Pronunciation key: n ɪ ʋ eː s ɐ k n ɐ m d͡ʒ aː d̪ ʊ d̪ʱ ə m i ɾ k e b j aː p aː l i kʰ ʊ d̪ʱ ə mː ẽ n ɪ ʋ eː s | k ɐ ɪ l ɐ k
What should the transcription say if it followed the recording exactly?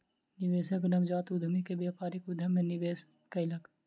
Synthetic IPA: n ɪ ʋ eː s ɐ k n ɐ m d͡ʒ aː t̪ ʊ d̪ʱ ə m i k e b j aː p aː ɾ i k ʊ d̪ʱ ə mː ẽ n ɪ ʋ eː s | k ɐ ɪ l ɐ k